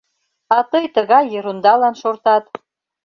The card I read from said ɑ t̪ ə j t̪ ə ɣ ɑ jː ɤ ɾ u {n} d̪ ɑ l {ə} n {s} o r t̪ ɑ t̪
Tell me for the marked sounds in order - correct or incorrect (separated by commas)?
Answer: correct, incorrect, incorrect